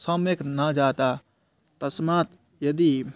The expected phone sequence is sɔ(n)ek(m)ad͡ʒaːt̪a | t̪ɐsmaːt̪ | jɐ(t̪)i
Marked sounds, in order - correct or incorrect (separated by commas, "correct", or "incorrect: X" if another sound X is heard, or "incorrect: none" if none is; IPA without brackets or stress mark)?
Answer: incorrect: m, incorrect: n, incorrect: d̪